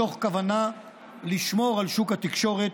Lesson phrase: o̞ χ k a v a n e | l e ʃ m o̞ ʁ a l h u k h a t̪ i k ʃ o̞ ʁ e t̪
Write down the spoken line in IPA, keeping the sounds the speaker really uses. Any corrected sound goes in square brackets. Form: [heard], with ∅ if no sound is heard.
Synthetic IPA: o̞ χ k a v a n [a] | l [i] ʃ m o̞ ʁ a l [ʃ] u k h a t̪ i k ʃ o̞ ʁ e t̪